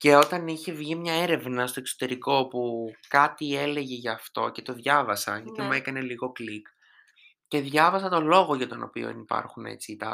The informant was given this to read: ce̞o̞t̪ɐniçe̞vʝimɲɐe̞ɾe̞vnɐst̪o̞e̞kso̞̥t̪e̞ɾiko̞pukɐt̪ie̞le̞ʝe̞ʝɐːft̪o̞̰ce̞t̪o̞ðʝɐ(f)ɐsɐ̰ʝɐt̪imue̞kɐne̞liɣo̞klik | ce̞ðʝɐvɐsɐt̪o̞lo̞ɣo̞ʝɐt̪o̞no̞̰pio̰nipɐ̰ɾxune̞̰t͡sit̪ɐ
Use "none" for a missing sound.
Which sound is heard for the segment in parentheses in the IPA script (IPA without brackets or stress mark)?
v